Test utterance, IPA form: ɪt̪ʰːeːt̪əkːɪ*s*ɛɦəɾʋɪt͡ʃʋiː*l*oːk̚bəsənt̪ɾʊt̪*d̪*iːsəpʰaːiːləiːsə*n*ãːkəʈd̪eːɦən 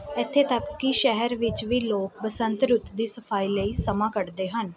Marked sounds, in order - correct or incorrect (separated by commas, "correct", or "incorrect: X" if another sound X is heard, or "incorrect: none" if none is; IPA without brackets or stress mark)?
incorrect: ʃ, correct, correct, incorrect: m